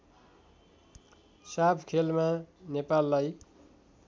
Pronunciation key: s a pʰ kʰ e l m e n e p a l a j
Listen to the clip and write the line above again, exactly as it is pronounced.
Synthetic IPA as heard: s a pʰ kʰ e l m a n e p a lː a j

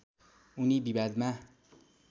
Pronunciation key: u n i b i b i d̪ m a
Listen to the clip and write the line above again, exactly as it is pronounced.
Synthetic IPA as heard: u n i b i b a d̪ m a

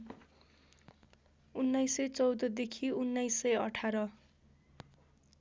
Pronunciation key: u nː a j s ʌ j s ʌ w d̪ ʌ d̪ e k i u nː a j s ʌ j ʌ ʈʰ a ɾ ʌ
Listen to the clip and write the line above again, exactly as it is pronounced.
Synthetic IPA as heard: u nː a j s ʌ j t͡s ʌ w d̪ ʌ d̪ e kʰ i u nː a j s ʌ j ʌ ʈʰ a ɾ ʌ

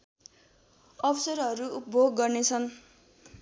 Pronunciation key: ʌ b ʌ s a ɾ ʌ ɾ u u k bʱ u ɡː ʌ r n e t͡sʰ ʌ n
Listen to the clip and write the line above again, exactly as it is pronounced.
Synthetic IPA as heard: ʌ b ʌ s ʌ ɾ ʌ ɾ u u p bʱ o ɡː ʌ r n e t͡sʰ ʌ n

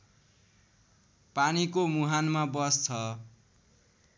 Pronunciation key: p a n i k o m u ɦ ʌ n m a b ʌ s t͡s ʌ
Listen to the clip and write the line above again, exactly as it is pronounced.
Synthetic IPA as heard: p a n i k o m u ɦ a n m a b ʌ s t͡sʰ ʌ

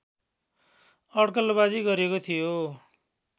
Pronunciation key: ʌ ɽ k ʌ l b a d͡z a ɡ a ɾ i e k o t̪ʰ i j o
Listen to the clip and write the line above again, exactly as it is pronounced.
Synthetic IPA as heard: ʌ ɽ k ʌ l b a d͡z i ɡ ʌ ɾ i e k o t̪ʰ i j o

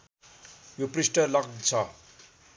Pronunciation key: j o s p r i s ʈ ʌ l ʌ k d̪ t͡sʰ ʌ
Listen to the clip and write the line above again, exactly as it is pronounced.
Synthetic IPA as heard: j o p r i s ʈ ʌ l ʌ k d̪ t͡sʰ ʌ

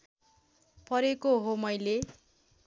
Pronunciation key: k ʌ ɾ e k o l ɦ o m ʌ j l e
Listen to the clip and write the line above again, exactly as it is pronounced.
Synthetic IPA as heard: p ʌ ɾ e k o ɦ o m ʌ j l e

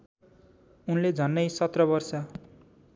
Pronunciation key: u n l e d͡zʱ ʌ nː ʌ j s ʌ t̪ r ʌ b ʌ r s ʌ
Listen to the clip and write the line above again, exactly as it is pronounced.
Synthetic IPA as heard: u n l e d͡zʱ ʌ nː ʌ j s ʌ t̪ r ʌ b ʌ r s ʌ

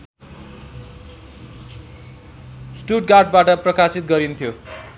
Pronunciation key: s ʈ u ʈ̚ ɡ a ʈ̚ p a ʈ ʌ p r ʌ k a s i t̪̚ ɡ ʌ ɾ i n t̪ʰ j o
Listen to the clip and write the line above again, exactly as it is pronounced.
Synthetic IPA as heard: s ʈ u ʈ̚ ɡ a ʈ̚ b a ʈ ʌ p r ʌ k a s i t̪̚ ɡ ʌ ɾ i n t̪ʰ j o

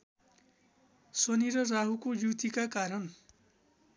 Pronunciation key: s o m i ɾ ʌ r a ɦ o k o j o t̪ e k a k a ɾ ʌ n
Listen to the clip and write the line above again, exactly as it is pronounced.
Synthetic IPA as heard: s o n i ɾ ʌ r a ɦ u k o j u t̪ i k a k a ɾ ʌ n

